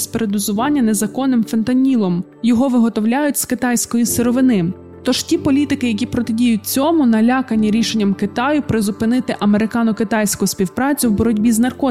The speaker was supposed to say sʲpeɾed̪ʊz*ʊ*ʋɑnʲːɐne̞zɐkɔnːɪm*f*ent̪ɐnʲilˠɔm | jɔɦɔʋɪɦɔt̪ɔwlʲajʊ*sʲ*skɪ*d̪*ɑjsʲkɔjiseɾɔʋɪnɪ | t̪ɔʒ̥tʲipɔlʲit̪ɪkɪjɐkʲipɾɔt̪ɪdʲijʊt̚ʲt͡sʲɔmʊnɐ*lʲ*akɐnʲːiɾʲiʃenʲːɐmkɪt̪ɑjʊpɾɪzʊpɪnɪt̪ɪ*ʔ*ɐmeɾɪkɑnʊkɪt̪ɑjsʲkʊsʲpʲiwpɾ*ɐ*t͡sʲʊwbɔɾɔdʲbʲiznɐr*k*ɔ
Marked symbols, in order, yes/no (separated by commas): yes, yes, no, no, yes, yes, no, yes